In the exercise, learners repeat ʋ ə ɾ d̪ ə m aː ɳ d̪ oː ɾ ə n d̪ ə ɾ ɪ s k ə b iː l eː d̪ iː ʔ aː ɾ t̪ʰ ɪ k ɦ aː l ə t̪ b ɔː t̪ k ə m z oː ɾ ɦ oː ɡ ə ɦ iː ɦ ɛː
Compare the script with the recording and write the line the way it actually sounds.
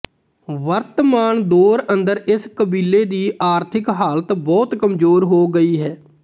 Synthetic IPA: ʋ ə ɾ t̪ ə m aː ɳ d̪ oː ɾ ə n d̪ ə ɾ ɪ s k ə b iː l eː d̪ iː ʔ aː ɾ t̪ʰ ɪ k ɦ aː l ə t̪ b ɔː t̪ k ə m z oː ɾ ɦ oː ɡ ə iː ɦ ɛː